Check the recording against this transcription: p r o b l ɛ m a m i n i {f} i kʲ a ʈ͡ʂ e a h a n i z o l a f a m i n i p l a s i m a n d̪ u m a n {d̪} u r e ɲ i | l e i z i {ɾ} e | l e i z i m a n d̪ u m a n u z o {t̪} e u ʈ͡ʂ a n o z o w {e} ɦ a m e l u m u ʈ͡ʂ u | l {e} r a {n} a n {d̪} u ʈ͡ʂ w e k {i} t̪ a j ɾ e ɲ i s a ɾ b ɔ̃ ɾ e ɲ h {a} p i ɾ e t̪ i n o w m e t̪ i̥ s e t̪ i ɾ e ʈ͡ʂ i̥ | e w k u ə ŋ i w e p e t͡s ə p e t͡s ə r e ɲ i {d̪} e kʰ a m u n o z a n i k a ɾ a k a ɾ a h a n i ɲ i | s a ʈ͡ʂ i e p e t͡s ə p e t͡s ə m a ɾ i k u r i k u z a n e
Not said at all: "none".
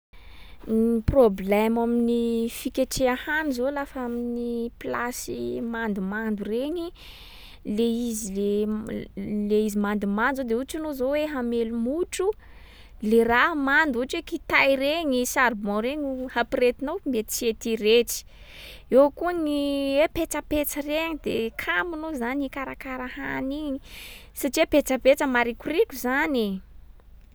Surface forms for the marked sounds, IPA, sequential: f, d̪, l, d̪, e, e, m, d̪, i, a, d̪

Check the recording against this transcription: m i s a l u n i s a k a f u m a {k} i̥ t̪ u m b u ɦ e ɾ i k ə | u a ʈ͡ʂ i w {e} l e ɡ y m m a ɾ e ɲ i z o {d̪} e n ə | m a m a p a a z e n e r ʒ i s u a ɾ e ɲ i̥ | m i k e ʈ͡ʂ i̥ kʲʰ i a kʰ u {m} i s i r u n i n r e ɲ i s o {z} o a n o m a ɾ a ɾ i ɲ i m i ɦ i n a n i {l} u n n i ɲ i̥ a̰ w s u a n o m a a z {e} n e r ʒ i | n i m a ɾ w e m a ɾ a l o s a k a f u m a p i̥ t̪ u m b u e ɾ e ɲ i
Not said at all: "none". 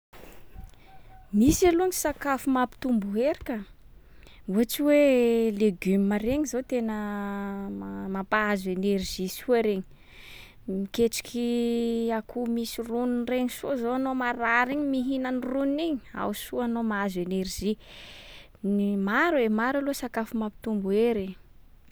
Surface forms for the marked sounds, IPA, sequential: p, e, t̪, m, z, r, e

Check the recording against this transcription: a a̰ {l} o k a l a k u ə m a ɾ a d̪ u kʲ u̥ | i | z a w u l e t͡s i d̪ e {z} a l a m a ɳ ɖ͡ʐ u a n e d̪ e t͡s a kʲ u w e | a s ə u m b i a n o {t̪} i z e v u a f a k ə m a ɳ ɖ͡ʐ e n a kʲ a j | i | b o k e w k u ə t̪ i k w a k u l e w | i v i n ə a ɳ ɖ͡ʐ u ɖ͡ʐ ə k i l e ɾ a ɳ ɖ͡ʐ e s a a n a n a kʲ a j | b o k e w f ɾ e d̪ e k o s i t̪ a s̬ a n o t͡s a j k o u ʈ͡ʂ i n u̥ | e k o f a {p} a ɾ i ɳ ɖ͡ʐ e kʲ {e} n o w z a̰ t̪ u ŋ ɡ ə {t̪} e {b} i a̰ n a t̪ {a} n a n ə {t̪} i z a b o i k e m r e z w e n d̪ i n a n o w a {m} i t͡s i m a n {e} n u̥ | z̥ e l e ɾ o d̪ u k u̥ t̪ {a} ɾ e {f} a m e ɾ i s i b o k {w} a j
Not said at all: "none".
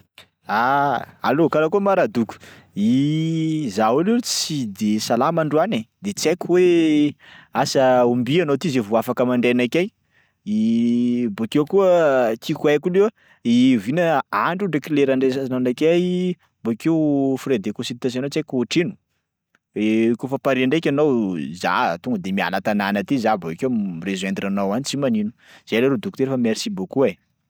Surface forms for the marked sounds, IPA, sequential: l, s, t̪, p, a, d̪, m, a, t̪, n, i, e, f, u

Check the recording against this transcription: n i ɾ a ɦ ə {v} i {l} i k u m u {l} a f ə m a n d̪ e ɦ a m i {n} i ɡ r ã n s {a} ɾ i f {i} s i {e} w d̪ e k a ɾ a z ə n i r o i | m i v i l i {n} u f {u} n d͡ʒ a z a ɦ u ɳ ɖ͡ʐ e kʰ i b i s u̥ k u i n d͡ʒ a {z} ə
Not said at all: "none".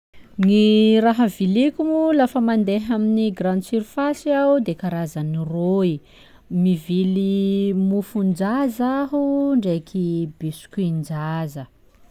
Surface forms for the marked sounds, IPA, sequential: v, l, l, n, i, a, a, m, u, z

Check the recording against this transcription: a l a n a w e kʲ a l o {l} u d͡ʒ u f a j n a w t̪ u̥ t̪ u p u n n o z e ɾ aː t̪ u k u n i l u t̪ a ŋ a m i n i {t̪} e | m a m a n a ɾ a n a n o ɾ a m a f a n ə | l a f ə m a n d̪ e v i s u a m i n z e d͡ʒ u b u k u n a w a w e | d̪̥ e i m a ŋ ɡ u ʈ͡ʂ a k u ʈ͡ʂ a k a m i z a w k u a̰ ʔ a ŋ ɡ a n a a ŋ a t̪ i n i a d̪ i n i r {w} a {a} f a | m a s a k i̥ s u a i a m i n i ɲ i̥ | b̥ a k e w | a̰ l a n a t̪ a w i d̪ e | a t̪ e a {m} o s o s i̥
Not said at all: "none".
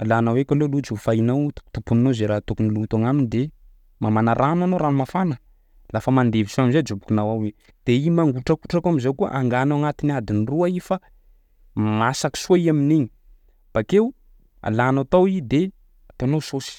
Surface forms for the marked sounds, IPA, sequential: l, d̪, u, i, n

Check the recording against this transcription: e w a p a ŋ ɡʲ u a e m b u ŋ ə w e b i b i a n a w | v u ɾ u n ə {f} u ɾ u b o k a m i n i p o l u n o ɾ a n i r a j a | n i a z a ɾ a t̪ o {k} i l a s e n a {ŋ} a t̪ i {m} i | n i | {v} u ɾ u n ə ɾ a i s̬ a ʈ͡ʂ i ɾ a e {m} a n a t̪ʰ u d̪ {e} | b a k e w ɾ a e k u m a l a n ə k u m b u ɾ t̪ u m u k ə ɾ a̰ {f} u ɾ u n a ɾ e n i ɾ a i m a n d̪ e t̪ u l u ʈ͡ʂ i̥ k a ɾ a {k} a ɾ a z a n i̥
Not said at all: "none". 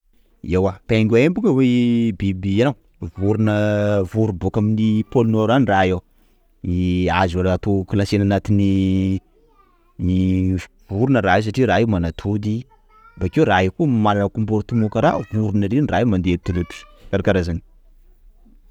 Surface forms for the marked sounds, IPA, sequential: v, k, n, n, v, m, i, v, k

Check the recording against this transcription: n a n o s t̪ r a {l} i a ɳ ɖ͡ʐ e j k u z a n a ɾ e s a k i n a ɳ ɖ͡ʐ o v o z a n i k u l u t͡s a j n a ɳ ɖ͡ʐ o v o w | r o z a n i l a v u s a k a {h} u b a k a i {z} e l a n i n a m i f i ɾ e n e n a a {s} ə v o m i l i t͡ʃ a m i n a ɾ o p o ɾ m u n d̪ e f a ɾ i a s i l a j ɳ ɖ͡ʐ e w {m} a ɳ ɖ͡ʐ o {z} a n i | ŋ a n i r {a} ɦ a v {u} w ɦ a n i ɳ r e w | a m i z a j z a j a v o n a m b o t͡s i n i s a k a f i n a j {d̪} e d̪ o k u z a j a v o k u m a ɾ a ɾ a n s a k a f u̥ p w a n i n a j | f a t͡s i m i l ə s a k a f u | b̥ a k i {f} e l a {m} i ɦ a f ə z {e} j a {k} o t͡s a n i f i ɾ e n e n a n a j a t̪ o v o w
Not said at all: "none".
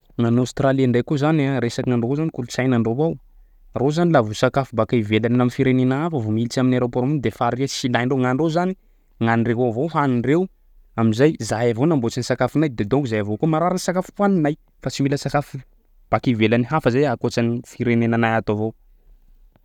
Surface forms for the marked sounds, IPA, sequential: l, f, v, f, ŋ, z, e, o, d̪, v, n, a, k

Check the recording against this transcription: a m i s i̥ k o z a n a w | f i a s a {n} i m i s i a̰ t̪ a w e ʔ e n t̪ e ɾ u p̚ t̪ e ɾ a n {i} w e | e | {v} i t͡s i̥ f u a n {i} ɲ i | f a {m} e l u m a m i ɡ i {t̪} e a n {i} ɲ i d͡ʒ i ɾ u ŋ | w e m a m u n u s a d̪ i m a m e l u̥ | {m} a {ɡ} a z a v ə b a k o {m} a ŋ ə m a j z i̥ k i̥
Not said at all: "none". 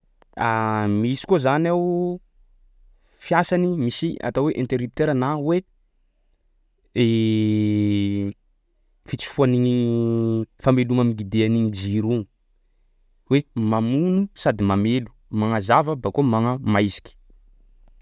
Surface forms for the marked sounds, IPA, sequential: n, a, f, i, m, d̪, i, m, ŋ, m

